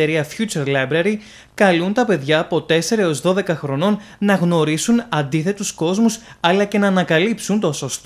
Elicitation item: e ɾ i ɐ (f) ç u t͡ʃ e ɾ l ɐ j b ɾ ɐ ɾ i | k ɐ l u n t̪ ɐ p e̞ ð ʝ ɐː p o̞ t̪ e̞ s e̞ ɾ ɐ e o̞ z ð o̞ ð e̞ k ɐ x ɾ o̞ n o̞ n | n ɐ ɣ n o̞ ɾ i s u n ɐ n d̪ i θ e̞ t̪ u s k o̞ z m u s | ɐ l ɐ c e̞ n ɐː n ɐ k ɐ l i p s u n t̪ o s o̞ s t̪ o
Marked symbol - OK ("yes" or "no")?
yes